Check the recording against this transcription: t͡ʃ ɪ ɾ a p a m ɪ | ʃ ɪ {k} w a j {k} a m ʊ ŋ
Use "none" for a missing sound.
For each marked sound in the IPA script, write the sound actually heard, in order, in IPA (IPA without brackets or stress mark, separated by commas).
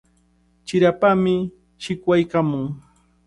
k, k